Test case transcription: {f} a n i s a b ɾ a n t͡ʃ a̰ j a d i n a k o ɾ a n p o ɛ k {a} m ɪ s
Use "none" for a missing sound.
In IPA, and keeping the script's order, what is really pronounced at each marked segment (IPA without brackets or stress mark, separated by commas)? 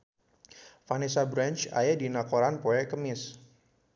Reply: f, ə